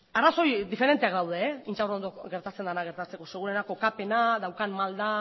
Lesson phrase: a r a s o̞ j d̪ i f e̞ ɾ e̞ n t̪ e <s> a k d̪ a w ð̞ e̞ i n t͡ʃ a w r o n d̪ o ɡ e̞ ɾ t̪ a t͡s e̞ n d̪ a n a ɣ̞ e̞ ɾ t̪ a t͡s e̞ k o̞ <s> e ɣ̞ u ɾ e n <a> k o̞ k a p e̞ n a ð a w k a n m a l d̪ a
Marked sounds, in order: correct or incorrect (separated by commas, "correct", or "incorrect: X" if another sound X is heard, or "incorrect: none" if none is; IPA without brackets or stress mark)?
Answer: incorrect: none, correct, correct